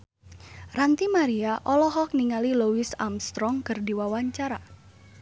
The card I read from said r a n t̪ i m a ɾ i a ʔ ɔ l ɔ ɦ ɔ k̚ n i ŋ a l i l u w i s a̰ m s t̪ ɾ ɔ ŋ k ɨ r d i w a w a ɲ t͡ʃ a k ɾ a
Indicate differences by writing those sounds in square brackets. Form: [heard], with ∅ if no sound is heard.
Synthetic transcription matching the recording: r a n t̪ i m a ɾ i a ʔ ɔ l ɔ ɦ ɔ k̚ n i ŋ a l i l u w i s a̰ m s t̪ ɾ ɔ ŋ k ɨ r d i w a w a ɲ t͡ʃ a [∅] ɾ a